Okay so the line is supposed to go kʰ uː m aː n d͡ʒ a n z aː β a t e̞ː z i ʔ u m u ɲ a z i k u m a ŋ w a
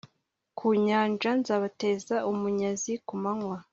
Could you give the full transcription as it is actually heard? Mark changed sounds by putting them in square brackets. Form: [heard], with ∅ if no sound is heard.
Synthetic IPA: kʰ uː [ɲ] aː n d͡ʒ a n z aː β a t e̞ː z [a] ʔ u m u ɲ a z i k u m a ŋ w a

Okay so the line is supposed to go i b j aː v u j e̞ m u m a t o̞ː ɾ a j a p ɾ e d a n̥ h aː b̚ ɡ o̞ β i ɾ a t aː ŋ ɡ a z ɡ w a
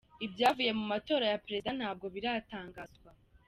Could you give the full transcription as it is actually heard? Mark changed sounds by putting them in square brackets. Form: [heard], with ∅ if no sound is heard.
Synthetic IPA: i b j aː v u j e̞ m u m a t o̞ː ɾ a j a p ɾ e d a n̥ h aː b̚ ɡ o̞ β i ɾ a t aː ŋ ɡ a z ɡ w a

